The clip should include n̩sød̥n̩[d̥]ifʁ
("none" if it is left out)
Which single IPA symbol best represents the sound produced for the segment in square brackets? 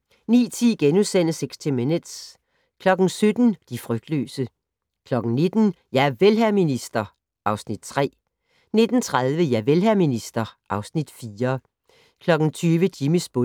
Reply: d̥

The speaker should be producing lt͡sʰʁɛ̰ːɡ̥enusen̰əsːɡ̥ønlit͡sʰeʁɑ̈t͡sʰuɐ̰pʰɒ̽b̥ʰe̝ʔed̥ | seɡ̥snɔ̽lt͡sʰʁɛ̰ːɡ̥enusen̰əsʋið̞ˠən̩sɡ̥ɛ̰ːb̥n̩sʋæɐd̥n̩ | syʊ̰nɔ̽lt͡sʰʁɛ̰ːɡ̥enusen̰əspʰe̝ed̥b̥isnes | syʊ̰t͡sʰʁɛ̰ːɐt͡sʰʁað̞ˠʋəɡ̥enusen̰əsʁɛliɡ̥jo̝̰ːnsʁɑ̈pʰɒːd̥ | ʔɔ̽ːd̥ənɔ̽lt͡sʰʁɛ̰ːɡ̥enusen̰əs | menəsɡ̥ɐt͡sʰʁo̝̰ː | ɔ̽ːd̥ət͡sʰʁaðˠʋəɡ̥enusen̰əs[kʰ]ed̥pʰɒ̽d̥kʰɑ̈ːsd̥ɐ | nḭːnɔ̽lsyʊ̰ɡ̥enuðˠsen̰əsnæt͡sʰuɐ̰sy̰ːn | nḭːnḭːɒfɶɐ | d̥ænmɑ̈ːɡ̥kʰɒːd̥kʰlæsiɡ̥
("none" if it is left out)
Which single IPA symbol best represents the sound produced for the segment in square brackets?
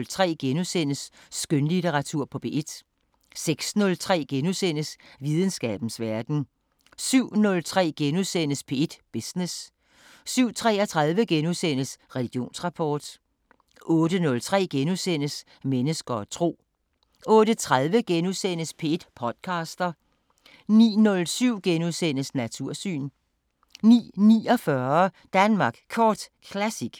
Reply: pʰ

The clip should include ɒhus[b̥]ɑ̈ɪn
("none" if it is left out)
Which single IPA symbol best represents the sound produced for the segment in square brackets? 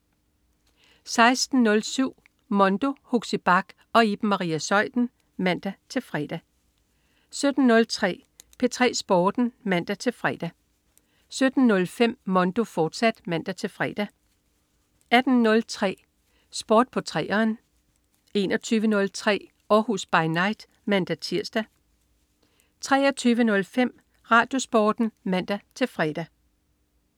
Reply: b̥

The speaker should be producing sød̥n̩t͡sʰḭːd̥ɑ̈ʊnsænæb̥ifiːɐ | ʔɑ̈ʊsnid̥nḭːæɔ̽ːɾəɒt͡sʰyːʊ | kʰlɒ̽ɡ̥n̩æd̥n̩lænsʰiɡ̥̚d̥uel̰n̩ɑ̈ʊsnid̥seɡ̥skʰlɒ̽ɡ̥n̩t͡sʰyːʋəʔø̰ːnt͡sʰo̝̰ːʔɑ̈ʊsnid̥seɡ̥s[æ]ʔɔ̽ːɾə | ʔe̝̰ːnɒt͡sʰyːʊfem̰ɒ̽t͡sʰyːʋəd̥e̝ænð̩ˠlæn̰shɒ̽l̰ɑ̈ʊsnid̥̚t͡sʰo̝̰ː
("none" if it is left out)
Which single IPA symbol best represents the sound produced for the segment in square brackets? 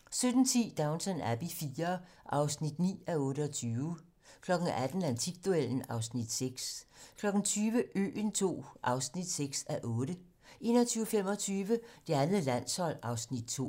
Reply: æ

